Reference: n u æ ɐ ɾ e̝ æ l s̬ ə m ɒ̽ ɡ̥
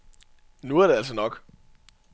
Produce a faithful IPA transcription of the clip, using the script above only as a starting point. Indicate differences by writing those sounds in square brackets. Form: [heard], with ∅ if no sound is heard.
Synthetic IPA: n u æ ɐ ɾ e̝ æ l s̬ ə [n] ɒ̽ ɡ̥